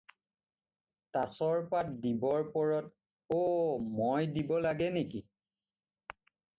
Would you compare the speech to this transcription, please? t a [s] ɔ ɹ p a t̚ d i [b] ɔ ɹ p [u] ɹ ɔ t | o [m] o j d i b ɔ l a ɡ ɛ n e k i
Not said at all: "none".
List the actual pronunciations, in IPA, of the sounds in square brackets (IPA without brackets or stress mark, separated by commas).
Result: s, b, ɔ, m